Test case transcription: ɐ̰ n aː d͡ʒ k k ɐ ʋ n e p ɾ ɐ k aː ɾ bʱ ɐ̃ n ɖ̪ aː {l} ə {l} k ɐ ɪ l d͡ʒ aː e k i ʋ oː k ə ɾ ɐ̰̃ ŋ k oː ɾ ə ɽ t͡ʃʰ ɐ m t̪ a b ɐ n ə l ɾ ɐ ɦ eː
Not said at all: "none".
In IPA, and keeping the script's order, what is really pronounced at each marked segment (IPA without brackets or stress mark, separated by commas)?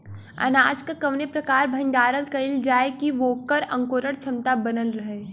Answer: ɾ, l